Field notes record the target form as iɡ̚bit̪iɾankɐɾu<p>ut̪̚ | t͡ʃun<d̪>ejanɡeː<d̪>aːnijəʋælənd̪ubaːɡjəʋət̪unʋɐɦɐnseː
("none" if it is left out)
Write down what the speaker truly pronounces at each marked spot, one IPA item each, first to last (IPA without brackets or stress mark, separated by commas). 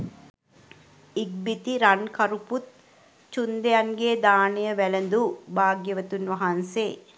p, d̪, d̪